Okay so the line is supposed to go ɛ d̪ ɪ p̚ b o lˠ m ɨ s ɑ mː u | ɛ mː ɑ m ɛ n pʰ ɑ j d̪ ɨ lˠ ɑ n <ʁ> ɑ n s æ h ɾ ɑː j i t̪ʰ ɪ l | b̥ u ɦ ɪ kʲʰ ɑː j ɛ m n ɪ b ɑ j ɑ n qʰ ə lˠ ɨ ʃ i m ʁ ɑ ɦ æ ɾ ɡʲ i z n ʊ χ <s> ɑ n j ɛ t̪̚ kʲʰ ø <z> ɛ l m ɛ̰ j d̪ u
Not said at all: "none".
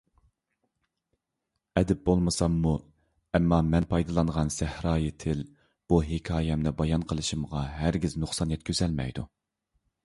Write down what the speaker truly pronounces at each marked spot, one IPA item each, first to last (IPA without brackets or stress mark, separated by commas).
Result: ʁ, s, z